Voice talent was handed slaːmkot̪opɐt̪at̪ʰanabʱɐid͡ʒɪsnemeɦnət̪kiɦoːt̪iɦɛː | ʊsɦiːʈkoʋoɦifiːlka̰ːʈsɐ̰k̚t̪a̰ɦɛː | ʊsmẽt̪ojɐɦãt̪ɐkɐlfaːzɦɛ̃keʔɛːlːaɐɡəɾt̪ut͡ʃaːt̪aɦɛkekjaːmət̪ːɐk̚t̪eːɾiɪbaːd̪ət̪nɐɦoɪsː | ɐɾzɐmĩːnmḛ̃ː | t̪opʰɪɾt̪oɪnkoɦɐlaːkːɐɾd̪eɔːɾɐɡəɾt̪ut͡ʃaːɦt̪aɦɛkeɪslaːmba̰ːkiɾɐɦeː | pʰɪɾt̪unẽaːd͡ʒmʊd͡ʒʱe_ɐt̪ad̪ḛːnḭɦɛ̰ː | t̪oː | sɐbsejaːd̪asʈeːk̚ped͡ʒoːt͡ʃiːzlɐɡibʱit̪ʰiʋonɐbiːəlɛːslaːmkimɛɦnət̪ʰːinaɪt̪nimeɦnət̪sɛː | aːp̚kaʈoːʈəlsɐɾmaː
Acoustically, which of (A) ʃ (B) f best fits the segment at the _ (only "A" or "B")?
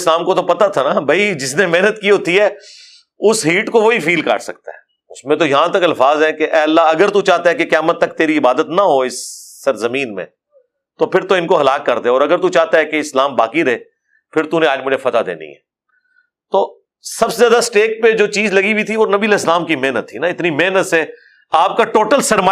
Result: B